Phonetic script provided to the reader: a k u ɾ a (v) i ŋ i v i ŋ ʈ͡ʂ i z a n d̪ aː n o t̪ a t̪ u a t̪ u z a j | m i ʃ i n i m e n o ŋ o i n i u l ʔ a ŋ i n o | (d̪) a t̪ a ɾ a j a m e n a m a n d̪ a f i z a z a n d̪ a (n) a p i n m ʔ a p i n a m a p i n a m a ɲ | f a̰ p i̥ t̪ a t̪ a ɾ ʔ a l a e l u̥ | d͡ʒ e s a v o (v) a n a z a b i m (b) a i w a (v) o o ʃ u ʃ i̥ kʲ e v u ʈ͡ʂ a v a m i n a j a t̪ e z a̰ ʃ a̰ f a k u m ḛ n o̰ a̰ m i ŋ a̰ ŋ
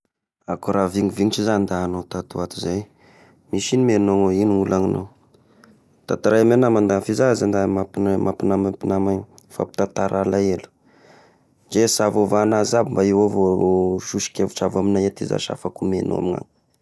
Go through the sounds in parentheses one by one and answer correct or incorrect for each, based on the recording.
correct, incorrect, incorrect, correct, correct, correct

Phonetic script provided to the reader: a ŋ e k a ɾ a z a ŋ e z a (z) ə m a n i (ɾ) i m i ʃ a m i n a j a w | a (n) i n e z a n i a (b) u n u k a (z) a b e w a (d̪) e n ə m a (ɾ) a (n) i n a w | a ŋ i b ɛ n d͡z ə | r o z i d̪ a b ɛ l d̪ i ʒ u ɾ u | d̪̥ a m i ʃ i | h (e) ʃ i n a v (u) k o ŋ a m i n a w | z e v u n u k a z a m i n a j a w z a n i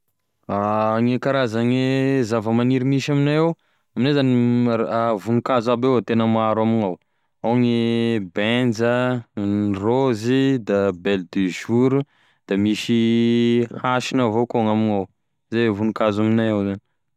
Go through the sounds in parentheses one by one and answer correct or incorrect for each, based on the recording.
incorrect, correct, incorrect, incorrect, correct, incorrect, correct, incorrect, incorrect, incorrect

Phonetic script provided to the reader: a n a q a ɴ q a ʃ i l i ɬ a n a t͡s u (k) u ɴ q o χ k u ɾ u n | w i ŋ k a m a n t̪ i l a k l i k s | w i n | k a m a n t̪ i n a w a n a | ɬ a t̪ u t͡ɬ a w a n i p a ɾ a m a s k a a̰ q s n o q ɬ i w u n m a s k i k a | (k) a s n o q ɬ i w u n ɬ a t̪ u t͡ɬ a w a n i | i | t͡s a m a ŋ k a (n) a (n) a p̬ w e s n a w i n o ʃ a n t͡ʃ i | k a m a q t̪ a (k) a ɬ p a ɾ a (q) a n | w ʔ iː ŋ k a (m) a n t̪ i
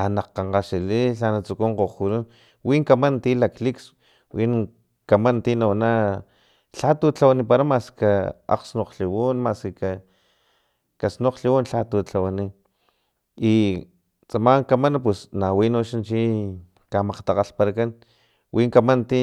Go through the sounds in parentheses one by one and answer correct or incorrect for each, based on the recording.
correct, correct, incorrect, correct, incorrect, incorrect, correct

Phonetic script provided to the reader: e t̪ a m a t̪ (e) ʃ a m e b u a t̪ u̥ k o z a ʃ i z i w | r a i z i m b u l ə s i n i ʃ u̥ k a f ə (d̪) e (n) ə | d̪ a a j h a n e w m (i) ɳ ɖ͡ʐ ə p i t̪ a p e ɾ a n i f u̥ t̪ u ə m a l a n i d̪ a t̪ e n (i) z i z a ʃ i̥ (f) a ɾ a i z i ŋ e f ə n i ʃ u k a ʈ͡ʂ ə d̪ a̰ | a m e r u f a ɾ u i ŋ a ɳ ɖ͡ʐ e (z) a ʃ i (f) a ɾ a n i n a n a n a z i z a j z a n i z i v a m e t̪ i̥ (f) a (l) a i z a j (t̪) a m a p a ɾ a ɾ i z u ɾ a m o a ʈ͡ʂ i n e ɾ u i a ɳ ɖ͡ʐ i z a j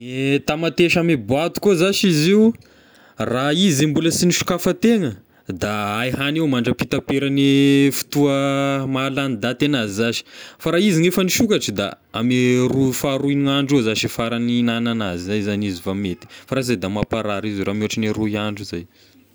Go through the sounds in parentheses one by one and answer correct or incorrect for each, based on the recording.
correct, incorrect, incorrect, incorrect, incorrect, correct, correct, correct, correct, incorrect, incorrect

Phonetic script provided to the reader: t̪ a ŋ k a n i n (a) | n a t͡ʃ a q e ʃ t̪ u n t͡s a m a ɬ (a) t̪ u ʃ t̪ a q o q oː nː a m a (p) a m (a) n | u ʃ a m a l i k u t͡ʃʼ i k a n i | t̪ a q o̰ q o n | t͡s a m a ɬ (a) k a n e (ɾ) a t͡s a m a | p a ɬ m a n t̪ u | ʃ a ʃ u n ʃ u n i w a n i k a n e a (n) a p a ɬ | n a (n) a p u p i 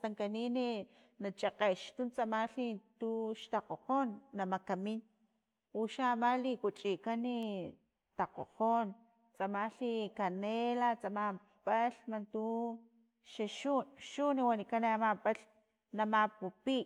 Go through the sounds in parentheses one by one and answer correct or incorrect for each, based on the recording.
incorrect, incorrect, incorrect, incorrect, incorrect, incorrect, incorrect, incorrect

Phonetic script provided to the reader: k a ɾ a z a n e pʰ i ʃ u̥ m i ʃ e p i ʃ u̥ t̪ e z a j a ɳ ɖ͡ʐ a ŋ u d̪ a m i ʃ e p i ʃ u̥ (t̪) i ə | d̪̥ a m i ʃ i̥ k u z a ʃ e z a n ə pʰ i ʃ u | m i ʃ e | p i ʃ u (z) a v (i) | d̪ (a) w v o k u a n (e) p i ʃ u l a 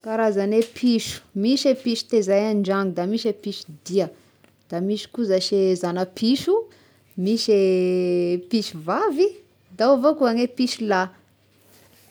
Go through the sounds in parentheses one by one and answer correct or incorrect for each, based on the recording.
incorrect, incorrect, correct, correct, correct

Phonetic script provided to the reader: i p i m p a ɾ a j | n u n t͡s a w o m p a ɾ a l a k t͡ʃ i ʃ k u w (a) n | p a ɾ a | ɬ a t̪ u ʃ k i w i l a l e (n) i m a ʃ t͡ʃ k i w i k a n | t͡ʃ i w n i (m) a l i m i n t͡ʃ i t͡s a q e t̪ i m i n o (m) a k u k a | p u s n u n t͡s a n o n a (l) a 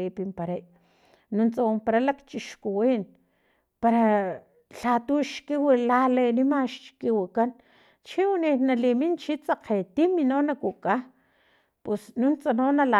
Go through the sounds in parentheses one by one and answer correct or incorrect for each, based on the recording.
incorrect, correct, incorrect, incorrect, correct

